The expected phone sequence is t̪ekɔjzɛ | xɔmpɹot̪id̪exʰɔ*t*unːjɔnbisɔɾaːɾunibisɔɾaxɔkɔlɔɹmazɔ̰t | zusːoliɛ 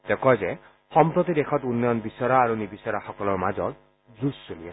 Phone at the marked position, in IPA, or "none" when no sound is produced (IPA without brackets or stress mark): t